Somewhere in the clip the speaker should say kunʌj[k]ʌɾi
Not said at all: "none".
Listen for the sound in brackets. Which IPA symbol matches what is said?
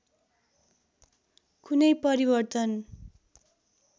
p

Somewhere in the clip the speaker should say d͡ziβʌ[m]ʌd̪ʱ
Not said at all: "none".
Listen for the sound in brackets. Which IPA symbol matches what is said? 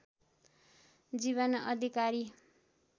n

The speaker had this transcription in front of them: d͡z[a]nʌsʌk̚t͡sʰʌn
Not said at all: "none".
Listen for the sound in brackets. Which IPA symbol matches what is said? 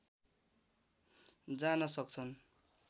a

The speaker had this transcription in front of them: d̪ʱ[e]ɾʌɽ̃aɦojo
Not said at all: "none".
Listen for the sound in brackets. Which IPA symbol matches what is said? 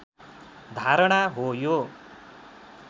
a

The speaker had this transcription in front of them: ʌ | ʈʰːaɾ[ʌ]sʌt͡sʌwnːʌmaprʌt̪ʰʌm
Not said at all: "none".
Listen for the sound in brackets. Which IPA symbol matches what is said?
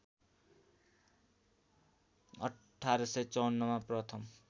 ʌ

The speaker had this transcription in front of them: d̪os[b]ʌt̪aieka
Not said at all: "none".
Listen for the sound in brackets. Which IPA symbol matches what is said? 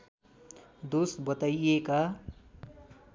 b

